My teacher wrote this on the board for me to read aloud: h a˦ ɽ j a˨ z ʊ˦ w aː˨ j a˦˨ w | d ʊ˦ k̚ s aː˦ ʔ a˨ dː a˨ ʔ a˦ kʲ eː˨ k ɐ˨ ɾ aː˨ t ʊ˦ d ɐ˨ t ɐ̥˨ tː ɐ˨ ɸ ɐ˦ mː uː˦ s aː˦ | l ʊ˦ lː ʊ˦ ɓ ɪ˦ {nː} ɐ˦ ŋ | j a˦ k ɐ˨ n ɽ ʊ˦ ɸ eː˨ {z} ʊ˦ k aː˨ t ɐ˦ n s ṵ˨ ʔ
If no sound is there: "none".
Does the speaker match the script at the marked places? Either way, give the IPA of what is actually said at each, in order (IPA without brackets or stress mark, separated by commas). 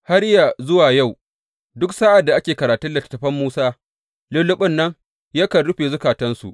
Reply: nː, z